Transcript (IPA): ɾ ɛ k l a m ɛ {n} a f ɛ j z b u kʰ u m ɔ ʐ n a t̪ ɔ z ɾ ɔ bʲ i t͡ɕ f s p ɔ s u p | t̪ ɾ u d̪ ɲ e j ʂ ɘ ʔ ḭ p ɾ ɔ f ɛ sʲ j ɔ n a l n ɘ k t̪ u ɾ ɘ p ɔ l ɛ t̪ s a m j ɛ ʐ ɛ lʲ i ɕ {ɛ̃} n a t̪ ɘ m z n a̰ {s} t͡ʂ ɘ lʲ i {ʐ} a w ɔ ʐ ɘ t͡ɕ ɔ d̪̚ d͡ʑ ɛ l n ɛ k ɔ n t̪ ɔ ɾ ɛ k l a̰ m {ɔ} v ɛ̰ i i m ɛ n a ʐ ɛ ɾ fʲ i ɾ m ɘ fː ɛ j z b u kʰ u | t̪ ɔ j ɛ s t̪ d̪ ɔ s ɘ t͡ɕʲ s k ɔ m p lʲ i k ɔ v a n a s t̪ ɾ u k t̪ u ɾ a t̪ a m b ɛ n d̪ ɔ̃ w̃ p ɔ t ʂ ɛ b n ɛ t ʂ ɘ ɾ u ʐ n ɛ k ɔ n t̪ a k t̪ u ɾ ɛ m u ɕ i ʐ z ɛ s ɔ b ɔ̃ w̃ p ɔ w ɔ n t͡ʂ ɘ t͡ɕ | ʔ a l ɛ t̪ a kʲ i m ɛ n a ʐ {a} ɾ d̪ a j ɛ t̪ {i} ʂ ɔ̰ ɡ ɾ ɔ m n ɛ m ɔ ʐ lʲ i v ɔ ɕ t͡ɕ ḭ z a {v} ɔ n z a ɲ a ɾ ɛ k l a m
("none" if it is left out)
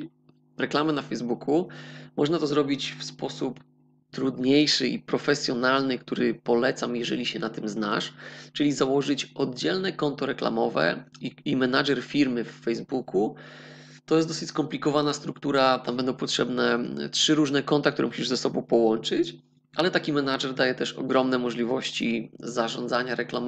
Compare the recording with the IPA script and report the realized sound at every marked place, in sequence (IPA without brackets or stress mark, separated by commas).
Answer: n, ɛ, ʂ, z, ɔ, ɛ, ɛ, ʐ